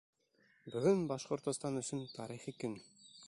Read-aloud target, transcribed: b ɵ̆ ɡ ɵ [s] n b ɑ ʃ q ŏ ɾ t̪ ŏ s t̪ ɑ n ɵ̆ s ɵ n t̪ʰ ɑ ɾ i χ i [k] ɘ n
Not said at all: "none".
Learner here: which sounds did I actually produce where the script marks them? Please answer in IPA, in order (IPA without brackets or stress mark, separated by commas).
none, k